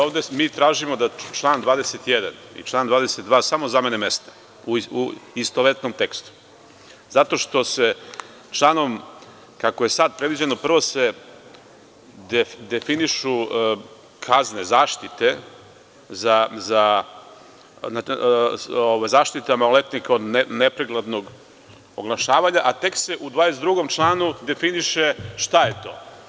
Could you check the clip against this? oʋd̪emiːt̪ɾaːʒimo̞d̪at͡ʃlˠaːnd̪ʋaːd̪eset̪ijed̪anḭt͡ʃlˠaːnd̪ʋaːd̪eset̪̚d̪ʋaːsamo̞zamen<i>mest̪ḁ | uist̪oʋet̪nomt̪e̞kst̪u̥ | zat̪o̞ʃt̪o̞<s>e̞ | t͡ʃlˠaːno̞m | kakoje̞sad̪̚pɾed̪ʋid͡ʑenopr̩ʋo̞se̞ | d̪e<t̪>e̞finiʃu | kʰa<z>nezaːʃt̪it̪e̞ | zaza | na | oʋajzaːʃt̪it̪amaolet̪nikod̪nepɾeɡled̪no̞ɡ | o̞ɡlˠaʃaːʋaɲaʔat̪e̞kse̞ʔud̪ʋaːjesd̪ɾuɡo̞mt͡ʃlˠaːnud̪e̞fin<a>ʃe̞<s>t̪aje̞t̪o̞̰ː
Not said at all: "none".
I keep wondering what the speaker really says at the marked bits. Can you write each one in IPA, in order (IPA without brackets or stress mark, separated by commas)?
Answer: e, s, d̪, z, i, ʃ